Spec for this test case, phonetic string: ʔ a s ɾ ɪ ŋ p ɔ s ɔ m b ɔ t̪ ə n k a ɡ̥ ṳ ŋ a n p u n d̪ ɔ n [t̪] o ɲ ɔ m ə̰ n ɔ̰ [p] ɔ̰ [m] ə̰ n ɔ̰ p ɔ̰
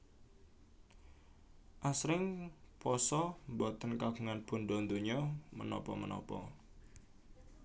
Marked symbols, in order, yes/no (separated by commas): no, yes, yes